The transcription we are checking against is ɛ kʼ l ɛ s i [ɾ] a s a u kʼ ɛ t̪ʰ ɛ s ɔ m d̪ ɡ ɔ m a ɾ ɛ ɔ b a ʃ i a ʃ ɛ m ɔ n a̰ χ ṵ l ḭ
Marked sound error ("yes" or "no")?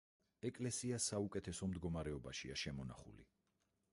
yes